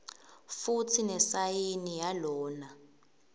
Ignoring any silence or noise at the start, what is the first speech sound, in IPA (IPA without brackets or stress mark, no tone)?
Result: f